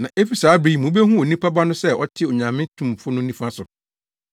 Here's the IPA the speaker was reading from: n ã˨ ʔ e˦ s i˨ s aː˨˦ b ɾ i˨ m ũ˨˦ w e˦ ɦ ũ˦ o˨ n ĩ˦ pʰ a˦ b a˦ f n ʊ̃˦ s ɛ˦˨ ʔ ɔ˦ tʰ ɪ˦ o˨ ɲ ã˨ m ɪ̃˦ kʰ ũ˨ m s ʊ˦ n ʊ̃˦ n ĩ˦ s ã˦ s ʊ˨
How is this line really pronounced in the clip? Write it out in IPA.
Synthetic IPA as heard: n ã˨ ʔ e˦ f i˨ s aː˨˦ b ɾ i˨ m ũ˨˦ b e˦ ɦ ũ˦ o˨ n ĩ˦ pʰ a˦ b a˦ n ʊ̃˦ s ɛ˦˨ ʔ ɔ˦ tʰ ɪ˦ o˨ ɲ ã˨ m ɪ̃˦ tʰ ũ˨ m f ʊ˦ n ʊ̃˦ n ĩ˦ f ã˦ s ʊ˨